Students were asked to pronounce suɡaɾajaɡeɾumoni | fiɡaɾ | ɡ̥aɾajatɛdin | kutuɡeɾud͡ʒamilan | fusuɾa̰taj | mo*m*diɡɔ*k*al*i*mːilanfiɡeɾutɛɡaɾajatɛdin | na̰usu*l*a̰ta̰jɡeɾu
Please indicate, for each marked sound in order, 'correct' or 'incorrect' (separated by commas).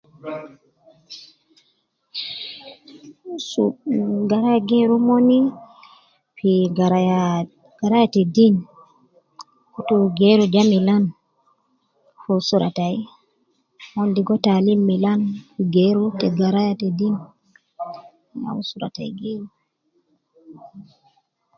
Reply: incorrect, incorrect, correct, incorrect